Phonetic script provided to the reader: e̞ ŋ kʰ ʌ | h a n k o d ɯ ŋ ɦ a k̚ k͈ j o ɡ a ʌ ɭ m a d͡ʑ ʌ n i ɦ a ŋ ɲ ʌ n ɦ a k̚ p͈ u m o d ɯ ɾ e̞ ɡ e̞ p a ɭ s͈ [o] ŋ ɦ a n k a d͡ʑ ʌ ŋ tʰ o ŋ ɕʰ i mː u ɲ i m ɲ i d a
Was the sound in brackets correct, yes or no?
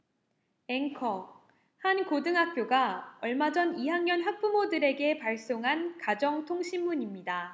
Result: yes